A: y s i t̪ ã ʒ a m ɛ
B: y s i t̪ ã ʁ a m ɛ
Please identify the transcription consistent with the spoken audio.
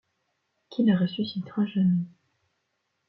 A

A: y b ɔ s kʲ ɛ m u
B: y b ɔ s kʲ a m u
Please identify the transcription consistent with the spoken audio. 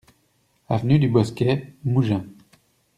A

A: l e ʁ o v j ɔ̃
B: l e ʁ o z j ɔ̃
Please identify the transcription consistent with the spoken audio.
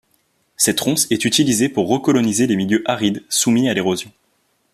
B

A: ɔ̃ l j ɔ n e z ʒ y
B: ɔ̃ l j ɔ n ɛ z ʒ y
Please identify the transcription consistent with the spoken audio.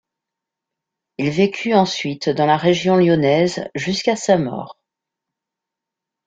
B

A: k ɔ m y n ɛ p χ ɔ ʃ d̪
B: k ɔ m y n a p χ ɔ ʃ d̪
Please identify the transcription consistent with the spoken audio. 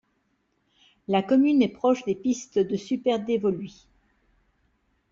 A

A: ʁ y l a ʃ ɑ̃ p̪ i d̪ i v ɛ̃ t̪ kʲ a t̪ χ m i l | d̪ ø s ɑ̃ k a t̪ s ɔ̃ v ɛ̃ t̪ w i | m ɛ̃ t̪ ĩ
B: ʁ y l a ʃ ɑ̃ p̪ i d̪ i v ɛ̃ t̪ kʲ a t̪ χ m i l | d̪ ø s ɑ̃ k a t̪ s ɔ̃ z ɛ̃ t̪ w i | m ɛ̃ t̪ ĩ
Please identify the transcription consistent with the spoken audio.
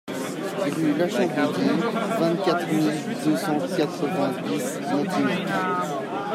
A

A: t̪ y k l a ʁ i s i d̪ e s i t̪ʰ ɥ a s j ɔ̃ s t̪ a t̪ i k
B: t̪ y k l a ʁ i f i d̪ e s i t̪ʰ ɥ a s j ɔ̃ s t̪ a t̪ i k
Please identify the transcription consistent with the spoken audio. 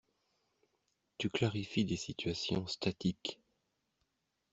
B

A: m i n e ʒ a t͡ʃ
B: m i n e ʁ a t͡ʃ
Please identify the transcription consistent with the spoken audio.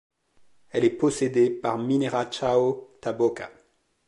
B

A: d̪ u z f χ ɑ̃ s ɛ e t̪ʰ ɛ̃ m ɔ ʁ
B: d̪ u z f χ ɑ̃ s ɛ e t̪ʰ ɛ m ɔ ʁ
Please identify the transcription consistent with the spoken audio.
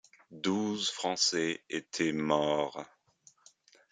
B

